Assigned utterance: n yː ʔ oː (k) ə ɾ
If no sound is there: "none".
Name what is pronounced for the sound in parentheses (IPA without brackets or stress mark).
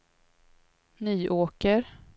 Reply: k